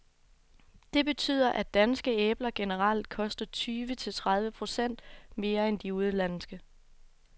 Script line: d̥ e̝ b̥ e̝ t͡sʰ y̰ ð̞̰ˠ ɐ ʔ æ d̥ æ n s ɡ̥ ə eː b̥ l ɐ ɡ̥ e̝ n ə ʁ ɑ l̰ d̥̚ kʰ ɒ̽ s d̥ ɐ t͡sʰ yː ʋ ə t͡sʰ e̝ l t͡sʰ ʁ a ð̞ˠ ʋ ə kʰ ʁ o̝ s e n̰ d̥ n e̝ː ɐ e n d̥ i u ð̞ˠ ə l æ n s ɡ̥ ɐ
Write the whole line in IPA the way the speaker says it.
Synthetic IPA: d̥ e̝ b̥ e̝ t͡sʰ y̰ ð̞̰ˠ ɐ ʔ æ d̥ æ n s ɡ̥ ə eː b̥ l ɐ ɡ̥ e̝ n ə ʁ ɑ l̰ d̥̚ kʰ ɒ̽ s d̥ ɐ t͡sʰ yː ʋ ə t͡sʰ e̝ l t͡sʰ ʁ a ð̞ˠ ʋ ə pʰ ʁ o̝ s e n̰ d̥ m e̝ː ɐ e n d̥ i u ð̞ˠ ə l æ n s ɡ̥ ə